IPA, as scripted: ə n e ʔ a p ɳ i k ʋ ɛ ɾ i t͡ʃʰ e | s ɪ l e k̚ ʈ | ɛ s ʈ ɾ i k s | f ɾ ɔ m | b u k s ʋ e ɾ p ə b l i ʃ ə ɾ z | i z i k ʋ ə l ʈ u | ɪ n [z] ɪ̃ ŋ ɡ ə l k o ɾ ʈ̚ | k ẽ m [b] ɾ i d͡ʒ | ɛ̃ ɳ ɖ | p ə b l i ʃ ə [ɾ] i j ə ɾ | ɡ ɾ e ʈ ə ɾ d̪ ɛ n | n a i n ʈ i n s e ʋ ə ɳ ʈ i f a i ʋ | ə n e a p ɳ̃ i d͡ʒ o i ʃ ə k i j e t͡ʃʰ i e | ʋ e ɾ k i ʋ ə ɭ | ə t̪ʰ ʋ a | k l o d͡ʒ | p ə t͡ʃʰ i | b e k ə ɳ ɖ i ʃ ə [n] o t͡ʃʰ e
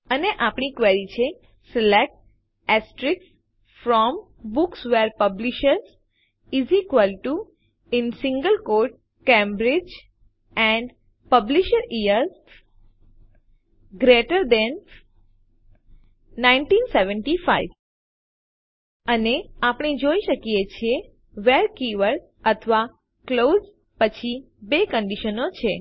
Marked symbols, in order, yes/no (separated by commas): no, yes, yes, yes